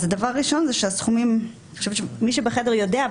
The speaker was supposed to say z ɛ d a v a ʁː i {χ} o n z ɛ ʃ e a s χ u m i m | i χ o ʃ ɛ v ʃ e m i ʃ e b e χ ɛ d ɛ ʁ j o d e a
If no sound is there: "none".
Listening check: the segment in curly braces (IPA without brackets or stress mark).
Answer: ʃ